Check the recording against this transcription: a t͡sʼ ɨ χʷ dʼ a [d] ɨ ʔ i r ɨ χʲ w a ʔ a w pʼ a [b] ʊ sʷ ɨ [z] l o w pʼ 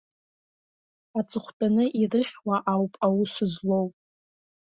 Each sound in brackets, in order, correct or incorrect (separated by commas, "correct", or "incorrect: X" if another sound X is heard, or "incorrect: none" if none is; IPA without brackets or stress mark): incorrect: n, incorrect: w, correct